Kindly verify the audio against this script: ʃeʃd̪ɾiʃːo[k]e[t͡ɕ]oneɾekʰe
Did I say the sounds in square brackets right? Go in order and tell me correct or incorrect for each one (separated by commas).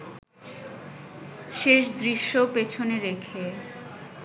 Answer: incorrect, incorrect